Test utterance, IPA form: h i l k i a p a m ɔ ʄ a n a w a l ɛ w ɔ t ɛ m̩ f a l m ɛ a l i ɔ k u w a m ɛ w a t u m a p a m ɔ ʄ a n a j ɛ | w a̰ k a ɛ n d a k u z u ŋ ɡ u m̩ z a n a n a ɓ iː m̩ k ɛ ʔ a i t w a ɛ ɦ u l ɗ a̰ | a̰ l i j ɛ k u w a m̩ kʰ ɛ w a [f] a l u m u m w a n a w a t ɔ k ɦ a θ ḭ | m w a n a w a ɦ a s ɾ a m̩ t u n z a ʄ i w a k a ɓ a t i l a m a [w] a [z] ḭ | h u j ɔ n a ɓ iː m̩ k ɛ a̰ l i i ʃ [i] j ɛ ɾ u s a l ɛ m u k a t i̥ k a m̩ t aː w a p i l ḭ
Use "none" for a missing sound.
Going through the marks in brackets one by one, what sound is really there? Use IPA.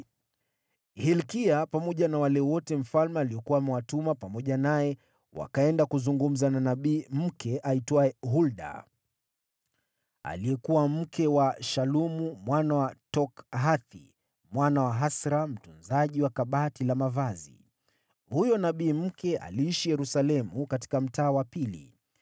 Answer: ʃ, v, z, i

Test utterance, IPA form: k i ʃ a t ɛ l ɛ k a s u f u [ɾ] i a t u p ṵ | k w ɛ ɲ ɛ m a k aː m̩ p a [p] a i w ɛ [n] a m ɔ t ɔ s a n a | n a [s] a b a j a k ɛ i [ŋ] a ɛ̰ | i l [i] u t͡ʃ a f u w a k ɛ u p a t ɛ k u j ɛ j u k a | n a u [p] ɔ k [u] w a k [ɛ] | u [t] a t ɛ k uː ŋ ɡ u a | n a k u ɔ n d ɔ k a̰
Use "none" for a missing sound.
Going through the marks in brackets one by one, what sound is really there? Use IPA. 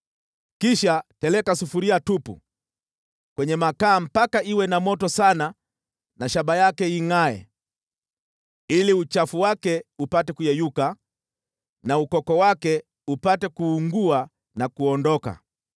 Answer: ɾ, k, n, ʃ, ŋ, i, k, ɔ, ɛ, p

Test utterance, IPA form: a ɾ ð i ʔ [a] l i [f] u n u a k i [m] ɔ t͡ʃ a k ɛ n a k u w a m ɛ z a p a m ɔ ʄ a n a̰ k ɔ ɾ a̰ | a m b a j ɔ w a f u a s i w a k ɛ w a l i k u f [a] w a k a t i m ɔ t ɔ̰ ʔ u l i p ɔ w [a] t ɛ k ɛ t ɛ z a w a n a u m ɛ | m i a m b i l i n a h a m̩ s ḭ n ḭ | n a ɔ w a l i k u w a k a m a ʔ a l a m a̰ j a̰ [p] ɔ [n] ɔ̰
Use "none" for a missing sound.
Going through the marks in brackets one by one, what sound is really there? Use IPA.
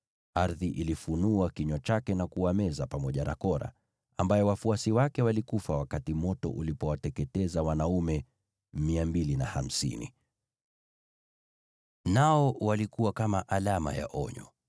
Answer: i, f, ɲ, a, a, ʔ, ɲ

